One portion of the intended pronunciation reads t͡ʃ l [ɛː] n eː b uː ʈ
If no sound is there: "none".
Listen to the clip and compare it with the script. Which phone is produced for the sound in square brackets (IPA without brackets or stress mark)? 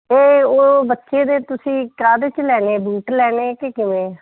ɛː